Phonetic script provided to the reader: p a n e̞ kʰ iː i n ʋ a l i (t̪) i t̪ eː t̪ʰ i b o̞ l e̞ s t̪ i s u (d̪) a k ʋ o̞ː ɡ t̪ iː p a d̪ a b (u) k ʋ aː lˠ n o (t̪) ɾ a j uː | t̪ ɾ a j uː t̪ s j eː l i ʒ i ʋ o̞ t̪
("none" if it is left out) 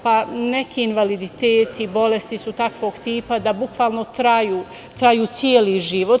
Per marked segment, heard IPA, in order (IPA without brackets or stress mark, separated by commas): d̪, t̪, u, t̪